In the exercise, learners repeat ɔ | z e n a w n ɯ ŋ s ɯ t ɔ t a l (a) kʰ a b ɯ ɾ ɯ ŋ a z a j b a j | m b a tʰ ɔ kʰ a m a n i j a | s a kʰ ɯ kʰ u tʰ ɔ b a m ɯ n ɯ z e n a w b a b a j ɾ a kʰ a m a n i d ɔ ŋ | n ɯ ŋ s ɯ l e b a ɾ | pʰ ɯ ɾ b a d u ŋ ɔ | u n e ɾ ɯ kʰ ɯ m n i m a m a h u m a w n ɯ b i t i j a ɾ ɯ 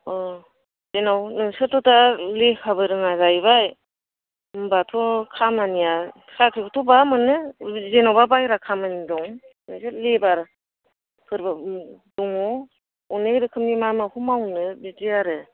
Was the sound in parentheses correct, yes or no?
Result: no